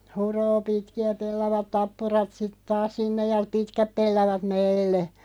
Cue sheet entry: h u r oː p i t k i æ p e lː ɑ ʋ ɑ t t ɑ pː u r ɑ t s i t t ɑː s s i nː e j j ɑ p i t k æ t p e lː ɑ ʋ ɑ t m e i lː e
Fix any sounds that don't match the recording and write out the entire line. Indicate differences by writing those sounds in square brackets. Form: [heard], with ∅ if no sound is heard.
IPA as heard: h u r oː p i t k i æ p e lː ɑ ʋ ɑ t t ɑ pː u r ɑ t s i t t ɑː s s i nː e j j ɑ p i t k æ [p] p e lː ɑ ʋ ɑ t m e i lː e